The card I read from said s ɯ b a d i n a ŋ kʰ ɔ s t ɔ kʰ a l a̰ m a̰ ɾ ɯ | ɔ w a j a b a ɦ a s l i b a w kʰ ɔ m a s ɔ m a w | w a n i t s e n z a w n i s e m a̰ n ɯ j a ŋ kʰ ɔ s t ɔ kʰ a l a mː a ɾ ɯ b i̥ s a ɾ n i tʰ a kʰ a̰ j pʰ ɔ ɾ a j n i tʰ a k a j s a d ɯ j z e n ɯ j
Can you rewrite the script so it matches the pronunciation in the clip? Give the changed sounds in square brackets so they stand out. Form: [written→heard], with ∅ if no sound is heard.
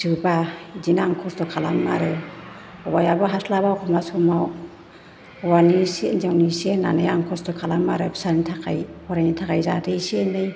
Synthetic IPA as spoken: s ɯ b a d i n a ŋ kʰ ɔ s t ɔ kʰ a l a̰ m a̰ ɾ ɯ | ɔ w a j a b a ɦ a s l [i→a] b a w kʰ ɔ m a s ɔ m a w | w a n i [t→∅] s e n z a w n i s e [m→n] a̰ n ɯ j a ŋ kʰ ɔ s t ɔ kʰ a l a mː a ɾ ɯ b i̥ s a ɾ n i tʰ a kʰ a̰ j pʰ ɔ ɾ a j n i tʰ a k a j [s→z] a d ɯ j [z→s] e n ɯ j